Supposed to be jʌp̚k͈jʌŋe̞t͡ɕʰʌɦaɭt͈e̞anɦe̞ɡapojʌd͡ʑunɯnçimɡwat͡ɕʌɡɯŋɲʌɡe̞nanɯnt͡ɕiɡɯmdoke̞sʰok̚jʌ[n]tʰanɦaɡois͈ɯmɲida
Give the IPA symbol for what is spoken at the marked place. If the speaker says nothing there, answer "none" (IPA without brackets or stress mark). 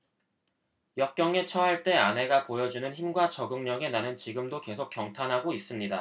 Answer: ŋ